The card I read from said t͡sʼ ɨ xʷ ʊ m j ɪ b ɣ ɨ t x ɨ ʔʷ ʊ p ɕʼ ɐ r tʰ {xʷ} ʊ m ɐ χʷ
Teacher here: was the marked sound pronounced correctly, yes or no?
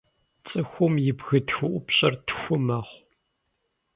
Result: yes